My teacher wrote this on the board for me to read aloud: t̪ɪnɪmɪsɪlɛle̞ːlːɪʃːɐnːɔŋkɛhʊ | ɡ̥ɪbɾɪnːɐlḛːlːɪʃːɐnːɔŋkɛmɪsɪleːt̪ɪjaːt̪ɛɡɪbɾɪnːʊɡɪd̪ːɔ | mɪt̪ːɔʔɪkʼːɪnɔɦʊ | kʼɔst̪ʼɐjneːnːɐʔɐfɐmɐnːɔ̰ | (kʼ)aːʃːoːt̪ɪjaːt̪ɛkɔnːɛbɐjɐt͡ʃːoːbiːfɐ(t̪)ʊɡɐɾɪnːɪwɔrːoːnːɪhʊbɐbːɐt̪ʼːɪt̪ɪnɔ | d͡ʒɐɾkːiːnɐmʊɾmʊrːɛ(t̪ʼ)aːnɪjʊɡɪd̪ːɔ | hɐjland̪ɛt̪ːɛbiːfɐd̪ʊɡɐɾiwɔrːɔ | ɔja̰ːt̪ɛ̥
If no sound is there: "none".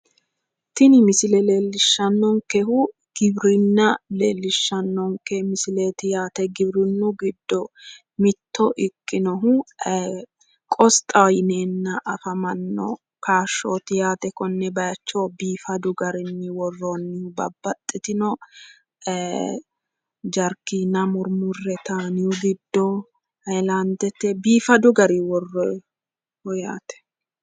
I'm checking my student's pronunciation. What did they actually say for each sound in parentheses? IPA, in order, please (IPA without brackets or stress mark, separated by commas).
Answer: k, d̪, t̪